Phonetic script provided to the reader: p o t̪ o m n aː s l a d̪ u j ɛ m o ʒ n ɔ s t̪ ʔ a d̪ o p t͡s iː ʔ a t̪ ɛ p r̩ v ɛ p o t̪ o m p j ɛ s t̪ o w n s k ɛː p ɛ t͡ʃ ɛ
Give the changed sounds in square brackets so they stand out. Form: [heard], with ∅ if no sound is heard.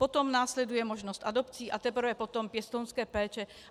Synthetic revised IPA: p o t̪ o m n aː s l [ɛ] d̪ u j ɛ m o ʒ n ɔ s t̪ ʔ a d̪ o p t͡s iː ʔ a t̪ ɛ p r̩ v ɛ p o t̪ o m p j ɛ s t̪ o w n s k ɛː p [ɛː] t͡ʃ ɛ